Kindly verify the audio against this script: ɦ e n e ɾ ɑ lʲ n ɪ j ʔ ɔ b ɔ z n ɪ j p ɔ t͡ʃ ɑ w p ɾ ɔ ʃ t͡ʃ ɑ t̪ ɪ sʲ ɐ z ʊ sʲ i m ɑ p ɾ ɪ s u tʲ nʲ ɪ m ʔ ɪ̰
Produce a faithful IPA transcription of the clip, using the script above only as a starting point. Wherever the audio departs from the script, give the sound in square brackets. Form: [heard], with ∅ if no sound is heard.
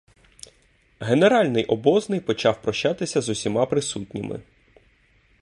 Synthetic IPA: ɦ e n e ɾ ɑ lʲ n ɪ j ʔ ɔ b ɔ z n ɪ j p ɔ t͡ʃ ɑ w p ɾ ɔ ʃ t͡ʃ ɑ t̪ ɪ sʲ ɐ z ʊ sʲ i m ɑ p ɾ ɪ s u tʲ nʲ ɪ m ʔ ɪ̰